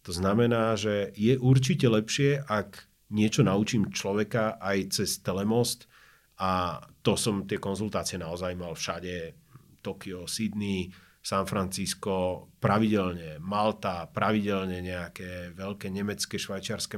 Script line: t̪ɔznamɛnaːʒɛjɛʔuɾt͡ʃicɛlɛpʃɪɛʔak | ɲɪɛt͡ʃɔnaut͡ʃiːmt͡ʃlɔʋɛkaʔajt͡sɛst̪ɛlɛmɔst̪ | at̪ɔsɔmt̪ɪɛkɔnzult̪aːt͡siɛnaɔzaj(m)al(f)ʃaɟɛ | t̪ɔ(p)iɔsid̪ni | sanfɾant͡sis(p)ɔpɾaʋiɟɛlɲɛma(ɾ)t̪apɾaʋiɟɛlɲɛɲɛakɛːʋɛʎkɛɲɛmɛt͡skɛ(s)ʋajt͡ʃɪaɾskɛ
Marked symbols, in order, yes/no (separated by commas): yes, yes, no, no, no, no